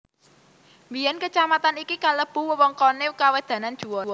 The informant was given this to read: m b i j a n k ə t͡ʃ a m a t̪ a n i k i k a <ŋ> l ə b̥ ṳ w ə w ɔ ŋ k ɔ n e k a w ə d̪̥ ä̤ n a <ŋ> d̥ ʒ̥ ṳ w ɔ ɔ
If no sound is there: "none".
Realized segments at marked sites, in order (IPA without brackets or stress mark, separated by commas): none, n